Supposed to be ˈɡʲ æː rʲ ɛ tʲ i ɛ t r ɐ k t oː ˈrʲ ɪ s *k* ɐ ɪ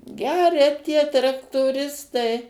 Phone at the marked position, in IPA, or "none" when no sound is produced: t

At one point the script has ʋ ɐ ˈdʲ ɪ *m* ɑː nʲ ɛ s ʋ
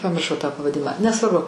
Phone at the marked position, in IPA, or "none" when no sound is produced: m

